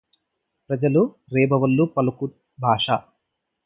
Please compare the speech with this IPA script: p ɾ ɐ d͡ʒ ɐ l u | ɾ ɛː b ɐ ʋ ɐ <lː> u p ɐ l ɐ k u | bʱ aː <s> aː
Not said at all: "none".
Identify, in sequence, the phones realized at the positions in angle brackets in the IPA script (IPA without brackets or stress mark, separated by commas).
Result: lː, ʂ